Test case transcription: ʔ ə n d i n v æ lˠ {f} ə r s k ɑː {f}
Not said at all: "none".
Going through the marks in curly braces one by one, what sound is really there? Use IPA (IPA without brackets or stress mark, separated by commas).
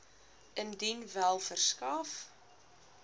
f, f